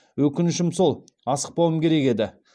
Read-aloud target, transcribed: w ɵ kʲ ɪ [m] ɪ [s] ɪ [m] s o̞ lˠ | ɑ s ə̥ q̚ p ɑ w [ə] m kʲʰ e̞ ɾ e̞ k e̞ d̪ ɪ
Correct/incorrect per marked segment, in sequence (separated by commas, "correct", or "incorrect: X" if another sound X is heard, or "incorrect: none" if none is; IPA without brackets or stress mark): incorrect: n, incorrect: ʃ, correct, correct